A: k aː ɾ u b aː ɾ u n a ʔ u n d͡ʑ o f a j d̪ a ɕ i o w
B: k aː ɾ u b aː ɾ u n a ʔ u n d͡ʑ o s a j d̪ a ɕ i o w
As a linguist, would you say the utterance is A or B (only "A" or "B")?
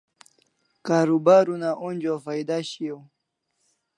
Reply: A